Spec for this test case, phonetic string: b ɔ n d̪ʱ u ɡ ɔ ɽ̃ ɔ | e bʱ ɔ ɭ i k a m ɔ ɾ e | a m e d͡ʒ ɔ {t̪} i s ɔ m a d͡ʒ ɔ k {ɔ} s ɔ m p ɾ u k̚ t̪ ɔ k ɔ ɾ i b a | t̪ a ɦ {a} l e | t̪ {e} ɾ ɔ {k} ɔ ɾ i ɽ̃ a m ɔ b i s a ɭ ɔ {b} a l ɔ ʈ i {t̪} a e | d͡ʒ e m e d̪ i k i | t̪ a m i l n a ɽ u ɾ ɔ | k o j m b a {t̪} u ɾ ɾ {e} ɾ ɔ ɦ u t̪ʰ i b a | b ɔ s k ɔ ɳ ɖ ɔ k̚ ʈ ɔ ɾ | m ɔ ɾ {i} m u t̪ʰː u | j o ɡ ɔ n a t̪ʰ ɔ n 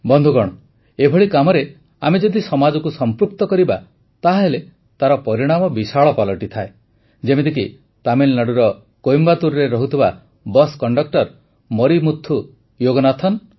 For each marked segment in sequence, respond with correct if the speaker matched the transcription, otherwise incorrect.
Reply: incorrect, incorrect, incorrect, incorrect, incorrect, incorrect, incorrect, correct, correct, correct

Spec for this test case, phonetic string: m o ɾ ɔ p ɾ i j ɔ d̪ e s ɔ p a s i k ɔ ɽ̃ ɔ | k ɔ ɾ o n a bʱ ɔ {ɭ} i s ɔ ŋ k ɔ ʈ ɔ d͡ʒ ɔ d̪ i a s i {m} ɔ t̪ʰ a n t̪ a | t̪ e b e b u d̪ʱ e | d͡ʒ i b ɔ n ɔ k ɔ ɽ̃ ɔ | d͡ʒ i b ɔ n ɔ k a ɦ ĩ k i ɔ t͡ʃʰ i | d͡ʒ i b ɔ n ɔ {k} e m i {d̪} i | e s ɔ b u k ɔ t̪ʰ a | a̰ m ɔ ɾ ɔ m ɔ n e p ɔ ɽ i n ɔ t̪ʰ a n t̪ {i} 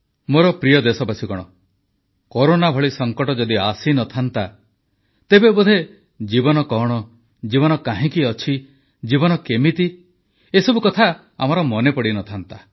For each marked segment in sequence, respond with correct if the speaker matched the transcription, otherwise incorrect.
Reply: correct, incorrect, correct, incorrect, incorrect

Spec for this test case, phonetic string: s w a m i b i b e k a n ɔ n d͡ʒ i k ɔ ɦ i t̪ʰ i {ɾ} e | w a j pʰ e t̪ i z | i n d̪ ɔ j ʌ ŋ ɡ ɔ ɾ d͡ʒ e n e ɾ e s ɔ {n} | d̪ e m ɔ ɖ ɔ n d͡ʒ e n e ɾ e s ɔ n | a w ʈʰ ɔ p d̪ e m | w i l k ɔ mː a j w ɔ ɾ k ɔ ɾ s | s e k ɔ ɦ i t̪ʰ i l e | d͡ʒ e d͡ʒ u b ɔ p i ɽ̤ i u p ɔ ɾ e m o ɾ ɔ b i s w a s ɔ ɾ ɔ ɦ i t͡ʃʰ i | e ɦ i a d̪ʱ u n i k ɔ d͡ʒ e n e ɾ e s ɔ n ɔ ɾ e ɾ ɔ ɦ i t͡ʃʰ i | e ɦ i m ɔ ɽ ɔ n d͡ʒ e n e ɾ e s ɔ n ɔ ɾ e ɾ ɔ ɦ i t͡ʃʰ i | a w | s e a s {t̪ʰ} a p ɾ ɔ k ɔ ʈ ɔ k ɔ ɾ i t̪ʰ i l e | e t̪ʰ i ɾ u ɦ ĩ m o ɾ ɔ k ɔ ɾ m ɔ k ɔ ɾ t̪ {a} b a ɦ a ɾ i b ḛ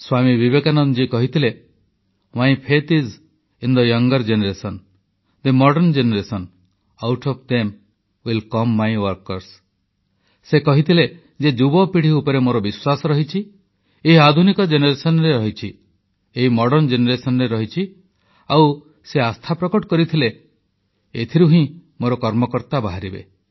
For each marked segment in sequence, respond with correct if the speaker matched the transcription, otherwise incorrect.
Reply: incorrect, correct, correct, correct

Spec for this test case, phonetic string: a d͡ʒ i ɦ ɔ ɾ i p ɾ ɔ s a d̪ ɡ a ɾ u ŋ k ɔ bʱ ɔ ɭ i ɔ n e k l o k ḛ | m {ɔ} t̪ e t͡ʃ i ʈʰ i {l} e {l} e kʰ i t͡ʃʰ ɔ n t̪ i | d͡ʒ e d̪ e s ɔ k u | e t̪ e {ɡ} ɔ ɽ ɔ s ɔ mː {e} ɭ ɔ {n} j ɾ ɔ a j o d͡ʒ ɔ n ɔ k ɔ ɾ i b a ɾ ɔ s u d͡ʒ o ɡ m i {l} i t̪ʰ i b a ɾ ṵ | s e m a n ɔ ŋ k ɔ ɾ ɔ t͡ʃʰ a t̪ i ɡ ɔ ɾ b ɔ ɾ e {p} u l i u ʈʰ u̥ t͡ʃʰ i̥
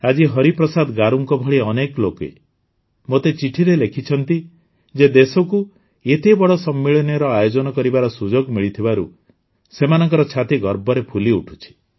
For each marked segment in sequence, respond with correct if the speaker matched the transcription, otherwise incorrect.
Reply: incorrect, incorrect, correct, incorrect, incorrect, correct, incorrect, incorrect

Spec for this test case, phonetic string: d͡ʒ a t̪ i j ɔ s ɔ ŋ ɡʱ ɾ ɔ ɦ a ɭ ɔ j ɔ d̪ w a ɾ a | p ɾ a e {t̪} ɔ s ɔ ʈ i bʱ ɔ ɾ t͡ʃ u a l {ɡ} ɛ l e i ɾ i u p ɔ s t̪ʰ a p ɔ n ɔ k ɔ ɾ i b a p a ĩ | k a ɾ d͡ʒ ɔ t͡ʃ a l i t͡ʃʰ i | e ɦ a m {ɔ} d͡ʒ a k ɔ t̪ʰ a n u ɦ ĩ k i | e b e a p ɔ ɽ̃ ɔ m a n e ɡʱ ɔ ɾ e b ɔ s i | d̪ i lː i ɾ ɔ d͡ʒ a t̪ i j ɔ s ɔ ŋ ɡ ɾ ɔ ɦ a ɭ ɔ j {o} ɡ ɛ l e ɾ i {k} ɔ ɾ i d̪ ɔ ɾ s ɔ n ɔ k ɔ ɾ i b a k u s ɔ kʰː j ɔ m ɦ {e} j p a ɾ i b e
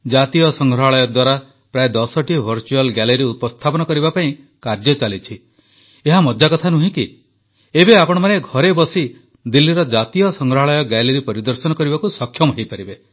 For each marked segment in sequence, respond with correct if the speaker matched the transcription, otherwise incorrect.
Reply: incorrect, correct, correct, incorrect, incorrect, correct

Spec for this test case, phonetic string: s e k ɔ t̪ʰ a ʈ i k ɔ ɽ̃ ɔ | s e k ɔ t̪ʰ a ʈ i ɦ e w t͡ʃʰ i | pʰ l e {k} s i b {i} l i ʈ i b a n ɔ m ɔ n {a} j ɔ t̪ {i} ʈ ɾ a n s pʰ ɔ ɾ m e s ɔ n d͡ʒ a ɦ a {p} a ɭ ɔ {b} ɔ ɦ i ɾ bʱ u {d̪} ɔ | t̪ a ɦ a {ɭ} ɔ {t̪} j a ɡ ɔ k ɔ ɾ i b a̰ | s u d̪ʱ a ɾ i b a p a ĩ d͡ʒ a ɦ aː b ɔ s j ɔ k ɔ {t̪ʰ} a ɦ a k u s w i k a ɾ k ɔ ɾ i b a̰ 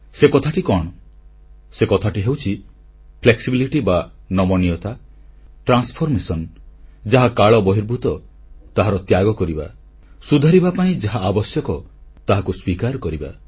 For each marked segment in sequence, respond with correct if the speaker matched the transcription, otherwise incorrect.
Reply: correct, correct, incorrect, incorrect, incorrect, correct, incorrect, incorrect, correct, incorrect

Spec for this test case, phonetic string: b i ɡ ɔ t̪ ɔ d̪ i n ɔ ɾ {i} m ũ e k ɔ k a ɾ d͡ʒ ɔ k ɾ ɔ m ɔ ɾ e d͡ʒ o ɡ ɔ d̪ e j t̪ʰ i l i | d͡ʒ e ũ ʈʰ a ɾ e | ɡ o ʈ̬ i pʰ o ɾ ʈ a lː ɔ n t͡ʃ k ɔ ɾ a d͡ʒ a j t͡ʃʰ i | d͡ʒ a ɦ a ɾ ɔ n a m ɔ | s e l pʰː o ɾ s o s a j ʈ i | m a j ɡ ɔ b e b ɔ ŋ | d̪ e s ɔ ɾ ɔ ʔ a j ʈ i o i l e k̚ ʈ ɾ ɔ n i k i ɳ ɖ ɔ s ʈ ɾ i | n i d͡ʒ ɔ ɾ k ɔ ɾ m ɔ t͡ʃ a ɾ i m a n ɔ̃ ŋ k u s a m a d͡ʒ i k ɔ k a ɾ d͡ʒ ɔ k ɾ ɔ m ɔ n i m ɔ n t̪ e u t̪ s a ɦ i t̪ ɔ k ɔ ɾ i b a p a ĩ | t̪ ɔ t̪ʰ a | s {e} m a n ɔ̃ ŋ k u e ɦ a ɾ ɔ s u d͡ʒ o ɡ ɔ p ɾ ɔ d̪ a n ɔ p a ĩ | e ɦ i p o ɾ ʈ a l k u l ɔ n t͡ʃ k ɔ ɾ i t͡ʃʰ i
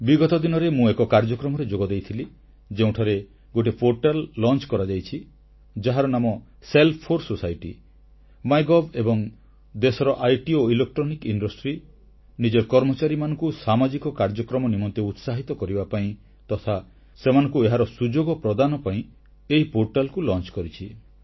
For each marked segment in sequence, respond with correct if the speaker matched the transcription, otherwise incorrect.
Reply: incorrect, correct

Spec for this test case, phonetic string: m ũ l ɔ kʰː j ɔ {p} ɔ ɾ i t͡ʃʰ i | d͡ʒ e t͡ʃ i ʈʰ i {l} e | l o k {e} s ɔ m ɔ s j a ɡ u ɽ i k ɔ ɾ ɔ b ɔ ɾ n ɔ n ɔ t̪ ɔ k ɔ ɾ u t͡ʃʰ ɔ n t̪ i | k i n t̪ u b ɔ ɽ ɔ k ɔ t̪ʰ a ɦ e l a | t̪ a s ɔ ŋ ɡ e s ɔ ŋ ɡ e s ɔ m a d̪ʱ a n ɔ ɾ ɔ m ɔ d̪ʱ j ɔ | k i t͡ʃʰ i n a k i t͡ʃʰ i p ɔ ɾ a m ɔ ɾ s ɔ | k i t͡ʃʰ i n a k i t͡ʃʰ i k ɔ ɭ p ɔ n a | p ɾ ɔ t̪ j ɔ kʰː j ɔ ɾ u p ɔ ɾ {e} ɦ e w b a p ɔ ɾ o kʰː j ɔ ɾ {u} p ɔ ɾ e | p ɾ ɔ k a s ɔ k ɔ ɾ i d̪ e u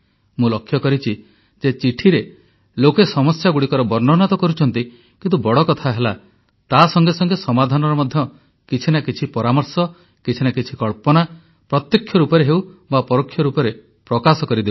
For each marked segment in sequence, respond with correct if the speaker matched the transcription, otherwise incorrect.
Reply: incorrect, incorrect, correct, correct, correct

